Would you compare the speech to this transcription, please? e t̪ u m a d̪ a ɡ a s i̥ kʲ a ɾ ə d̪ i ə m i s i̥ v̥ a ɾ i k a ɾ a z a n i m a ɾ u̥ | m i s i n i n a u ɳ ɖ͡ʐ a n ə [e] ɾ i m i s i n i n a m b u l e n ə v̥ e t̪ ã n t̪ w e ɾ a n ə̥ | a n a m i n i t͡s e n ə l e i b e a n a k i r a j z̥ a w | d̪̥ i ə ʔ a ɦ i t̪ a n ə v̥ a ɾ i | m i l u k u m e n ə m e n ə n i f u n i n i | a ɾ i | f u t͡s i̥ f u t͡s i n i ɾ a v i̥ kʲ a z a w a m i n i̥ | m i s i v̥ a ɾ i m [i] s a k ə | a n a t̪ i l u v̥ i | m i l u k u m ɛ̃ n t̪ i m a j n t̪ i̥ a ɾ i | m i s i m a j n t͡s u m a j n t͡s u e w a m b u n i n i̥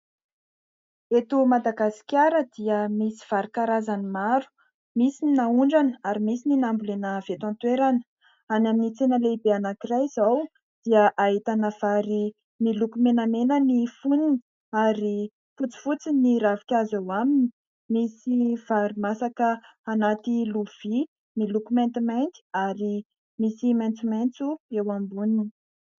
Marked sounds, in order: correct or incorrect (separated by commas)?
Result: incorrect, incorrect